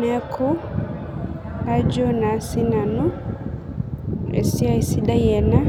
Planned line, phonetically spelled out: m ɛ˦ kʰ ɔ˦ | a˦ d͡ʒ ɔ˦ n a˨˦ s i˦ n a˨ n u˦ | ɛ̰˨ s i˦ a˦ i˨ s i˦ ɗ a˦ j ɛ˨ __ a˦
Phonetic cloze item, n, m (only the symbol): n